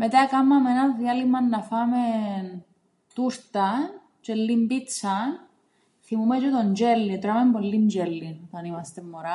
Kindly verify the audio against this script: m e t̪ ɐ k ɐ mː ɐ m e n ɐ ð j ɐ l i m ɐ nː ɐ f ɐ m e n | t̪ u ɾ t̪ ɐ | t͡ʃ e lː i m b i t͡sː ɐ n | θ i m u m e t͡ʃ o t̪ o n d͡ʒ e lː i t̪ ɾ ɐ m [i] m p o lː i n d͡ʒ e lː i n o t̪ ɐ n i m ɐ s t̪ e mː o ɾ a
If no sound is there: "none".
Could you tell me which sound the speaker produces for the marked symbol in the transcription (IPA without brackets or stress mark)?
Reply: e